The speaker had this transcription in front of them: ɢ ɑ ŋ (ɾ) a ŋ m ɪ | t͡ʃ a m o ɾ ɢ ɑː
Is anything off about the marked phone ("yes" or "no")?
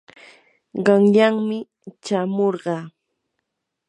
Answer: yes